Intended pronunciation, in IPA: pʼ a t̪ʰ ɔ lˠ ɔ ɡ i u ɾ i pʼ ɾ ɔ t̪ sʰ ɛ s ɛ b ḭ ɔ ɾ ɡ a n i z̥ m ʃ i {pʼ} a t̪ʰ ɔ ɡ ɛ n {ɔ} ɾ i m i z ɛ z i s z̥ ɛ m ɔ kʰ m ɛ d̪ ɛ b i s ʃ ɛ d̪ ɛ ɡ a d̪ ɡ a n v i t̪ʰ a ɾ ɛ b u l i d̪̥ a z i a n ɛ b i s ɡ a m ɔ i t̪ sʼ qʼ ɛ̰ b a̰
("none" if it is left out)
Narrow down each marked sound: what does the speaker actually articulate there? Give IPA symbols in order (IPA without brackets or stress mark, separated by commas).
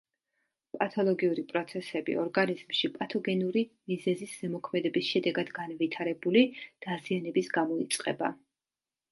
pʼ, u